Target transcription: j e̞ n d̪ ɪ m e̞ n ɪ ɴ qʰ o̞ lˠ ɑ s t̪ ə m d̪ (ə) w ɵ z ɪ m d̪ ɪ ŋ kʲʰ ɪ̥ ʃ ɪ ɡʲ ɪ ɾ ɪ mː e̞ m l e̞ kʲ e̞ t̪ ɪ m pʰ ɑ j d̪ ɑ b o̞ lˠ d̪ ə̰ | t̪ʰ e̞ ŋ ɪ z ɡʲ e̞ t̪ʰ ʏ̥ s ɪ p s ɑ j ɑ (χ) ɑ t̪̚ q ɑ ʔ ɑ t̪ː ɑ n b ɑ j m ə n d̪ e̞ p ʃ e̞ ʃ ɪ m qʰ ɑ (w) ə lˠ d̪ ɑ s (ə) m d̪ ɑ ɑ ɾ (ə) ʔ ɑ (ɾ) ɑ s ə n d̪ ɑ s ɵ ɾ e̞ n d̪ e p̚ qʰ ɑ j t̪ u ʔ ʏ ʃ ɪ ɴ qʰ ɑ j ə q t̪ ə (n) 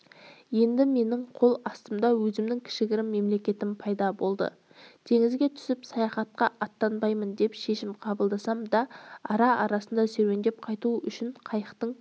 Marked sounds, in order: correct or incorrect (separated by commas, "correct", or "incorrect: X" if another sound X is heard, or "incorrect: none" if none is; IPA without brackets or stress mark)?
incorrect: ɑ, correct, incorrect: b, incorrect: ɑ, incorrect: ɑ, correct, incorrect: ɴ